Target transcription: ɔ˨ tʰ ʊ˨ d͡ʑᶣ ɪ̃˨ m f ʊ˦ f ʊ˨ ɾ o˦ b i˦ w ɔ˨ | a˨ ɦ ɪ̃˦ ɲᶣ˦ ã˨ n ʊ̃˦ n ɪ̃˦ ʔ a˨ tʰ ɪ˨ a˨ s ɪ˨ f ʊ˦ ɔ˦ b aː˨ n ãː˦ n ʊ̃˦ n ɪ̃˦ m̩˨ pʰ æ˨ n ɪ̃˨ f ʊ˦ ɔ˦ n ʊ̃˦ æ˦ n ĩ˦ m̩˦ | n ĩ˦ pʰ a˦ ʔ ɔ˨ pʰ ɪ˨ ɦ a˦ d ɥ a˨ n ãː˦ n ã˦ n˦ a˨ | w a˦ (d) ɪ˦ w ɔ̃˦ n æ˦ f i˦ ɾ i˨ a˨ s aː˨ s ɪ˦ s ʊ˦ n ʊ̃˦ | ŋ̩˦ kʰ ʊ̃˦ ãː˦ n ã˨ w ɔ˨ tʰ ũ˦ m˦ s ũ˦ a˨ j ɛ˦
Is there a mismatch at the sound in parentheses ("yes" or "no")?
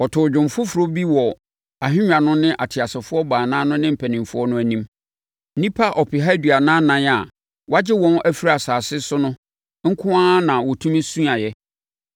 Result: yes